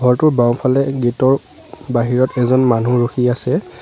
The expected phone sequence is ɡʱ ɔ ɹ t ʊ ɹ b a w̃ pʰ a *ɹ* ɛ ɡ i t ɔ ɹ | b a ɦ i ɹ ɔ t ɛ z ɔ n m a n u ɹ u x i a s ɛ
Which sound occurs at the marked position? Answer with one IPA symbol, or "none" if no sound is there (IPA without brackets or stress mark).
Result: l